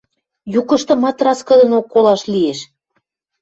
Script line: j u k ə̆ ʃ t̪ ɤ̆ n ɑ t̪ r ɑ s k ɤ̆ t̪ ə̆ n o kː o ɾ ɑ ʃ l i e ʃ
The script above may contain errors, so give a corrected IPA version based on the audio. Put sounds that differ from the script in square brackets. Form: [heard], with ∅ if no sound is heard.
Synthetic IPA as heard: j u k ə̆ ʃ t̪ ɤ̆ [m] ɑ t̪ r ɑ s k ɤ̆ [d̪] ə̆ n o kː o [l] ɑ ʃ l i e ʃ